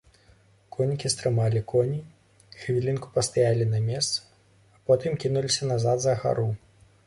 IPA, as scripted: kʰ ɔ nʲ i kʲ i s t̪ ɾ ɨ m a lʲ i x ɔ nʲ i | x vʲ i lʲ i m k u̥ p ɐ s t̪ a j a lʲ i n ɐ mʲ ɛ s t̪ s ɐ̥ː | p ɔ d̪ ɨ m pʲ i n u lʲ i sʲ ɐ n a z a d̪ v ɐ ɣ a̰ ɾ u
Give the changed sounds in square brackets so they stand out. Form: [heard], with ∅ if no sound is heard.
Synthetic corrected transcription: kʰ ɔ nʲ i kʲ i s t̪ ɾ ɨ m a lʲ i [k] ɔ nʲ i | x vʲ i lʲ i [n] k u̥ p ɐ s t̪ a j a lʲ i n ɐ mʲ ɛ s t̪ s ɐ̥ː | p ɔ [t̪] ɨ m [kʲ] i n u lʲ i sʲ ɐ n a z a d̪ [z] ɐ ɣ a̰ ɾ u